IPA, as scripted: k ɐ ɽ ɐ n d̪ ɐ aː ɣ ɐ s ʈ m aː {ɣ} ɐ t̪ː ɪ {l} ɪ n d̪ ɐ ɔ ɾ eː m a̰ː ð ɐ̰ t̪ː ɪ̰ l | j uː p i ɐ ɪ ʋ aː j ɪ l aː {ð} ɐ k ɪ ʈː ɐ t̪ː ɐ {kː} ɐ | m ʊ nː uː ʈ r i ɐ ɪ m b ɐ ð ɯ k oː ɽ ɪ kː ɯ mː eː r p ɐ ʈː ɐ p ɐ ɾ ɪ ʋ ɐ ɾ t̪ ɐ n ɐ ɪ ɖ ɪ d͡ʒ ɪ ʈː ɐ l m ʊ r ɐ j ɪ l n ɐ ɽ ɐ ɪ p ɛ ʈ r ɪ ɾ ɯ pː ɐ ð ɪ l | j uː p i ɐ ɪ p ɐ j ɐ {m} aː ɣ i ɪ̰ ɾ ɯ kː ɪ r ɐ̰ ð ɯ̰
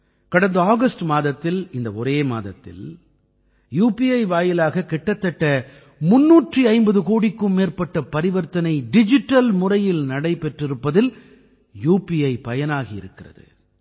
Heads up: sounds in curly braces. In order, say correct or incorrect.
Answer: incorrect, correct, incorrect, incorrect, incorrect

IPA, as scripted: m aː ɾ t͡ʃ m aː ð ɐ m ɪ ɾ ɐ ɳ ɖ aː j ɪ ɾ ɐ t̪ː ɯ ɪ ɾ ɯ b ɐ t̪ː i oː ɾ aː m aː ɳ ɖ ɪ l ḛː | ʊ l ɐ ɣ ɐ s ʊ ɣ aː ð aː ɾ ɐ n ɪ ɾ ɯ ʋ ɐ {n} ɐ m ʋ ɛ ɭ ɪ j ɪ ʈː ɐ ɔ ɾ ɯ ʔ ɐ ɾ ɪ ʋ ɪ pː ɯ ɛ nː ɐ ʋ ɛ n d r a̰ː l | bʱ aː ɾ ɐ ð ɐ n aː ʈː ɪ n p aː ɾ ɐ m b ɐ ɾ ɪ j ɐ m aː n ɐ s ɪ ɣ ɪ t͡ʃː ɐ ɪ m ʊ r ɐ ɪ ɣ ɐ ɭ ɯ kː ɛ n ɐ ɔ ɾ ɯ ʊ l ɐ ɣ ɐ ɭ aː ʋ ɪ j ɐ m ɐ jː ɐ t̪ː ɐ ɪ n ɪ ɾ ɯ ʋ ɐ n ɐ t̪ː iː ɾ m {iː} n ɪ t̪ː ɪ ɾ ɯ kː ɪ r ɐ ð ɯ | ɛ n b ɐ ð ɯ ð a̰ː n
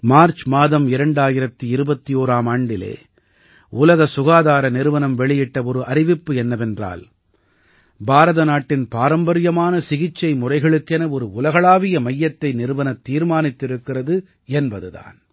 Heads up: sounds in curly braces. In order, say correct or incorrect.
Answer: correct, incorrect

